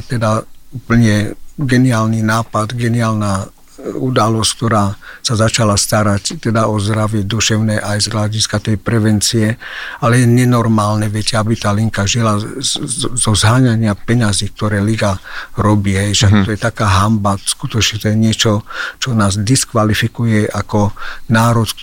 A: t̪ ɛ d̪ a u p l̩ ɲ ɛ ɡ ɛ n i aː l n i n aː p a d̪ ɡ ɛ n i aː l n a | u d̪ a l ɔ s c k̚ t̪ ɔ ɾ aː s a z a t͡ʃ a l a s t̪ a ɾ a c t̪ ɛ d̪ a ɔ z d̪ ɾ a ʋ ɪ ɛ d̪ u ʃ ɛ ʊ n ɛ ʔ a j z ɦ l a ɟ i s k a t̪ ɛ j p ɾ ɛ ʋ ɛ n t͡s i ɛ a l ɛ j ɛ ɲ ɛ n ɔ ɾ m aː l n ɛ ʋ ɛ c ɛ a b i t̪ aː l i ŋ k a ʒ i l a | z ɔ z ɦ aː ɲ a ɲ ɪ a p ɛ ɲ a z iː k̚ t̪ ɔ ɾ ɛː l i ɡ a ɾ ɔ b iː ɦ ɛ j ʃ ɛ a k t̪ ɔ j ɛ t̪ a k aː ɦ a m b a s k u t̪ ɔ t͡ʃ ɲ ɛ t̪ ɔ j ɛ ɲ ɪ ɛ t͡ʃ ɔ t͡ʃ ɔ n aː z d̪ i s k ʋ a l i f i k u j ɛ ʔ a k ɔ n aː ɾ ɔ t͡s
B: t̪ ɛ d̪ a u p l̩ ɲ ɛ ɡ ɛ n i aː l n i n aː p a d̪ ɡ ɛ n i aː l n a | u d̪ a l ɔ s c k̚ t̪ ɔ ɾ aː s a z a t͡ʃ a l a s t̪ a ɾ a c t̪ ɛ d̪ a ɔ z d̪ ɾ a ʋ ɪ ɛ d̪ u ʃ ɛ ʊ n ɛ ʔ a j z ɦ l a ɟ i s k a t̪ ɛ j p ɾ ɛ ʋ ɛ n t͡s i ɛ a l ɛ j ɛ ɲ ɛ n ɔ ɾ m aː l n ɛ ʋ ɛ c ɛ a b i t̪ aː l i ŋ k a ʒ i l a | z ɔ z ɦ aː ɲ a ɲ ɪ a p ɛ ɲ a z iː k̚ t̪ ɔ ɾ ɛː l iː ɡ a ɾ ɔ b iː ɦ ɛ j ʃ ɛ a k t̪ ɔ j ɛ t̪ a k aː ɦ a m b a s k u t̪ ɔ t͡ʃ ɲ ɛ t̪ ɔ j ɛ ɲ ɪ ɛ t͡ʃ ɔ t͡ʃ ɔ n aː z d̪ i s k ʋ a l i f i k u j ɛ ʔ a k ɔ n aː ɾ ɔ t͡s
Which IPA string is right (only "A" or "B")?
A